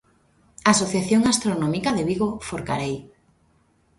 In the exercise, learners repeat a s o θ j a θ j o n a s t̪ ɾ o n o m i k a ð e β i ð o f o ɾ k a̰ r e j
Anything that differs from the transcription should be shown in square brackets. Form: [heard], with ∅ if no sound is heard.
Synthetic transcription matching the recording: a s o θ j a θ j o [ŋ] a s t̪ ɾ o n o m i k a ð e β i [ɣ] o f o ɾ k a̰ [ɾ] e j